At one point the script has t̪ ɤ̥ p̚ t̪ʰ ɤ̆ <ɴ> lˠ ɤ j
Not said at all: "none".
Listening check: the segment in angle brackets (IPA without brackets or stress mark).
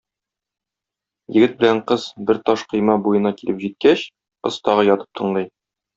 ɴ